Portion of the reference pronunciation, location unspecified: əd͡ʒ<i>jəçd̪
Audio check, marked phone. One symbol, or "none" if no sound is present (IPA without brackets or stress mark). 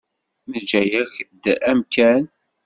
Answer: æ